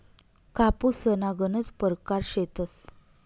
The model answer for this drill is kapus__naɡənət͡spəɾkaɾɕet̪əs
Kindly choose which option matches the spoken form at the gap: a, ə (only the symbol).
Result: ə